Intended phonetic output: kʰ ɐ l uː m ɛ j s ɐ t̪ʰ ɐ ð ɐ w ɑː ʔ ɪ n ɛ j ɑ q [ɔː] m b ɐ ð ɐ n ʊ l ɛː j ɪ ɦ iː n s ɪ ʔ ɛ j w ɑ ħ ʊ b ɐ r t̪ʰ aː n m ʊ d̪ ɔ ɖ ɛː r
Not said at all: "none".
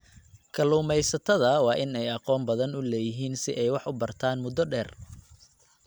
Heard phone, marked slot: ɔː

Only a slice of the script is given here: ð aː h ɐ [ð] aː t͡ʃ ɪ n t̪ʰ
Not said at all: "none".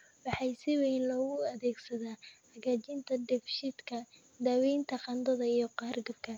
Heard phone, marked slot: ɣ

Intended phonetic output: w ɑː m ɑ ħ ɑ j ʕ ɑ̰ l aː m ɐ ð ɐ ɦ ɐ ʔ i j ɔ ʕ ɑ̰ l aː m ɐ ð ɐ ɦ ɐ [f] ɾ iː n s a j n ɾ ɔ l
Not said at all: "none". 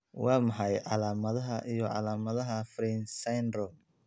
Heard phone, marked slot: f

